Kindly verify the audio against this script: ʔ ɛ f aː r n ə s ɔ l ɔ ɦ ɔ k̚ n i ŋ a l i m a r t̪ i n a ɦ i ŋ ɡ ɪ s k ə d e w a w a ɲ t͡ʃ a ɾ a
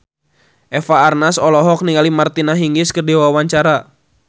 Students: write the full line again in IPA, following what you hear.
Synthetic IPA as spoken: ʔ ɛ f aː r n a s ɔ l ɔ ɦ ɔ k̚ n i ŋ a l i m a r t̪ i n a ɦ i ŋ ɡ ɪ s k ə d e w a w a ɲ t͡ʃ a ɾ a